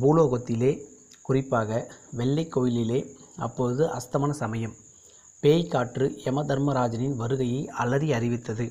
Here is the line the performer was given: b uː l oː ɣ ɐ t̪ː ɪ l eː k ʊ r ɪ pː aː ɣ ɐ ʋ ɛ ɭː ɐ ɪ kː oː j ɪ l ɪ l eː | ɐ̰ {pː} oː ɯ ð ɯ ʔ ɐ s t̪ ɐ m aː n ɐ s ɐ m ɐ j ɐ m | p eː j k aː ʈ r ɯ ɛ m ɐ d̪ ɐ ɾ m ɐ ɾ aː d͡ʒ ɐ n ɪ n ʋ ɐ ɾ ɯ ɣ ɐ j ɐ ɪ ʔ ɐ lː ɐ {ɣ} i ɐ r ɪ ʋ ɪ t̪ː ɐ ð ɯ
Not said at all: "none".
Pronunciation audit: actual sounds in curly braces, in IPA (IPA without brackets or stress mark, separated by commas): pː, ð